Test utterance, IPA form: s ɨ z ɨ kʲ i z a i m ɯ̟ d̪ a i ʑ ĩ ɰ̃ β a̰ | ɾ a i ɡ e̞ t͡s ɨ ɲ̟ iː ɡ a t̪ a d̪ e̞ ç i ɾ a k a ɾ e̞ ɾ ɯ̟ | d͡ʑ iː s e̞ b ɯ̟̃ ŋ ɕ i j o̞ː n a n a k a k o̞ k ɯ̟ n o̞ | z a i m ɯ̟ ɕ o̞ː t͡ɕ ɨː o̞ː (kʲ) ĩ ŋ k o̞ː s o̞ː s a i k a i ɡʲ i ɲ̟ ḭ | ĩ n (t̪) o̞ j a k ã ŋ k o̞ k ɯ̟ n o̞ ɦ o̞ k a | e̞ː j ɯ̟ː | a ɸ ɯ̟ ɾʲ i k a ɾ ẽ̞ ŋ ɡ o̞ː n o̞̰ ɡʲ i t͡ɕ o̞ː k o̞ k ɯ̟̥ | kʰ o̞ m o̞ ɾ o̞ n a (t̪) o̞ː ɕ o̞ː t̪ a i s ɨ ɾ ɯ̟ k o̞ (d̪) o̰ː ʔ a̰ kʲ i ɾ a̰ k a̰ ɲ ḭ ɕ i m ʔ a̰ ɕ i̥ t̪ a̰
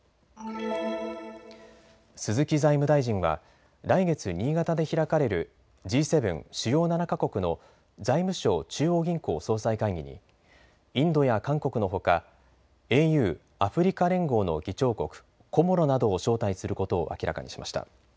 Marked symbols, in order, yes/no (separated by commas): no, no, no, no